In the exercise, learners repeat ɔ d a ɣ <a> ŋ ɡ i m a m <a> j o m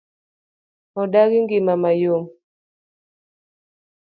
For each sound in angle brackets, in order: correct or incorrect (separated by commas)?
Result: incorrect, correct